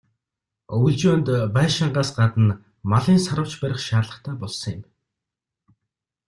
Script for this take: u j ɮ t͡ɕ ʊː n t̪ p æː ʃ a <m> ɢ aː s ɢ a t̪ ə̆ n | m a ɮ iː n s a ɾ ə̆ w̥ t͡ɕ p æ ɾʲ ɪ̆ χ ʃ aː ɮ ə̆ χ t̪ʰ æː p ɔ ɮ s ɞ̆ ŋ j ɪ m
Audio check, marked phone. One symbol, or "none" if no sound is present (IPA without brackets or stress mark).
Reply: ɴ